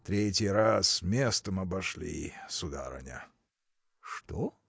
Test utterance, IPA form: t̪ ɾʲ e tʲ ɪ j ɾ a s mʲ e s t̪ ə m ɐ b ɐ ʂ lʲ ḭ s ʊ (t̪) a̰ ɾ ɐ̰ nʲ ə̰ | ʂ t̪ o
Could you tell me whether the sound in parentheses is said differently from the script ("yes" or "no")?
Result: yes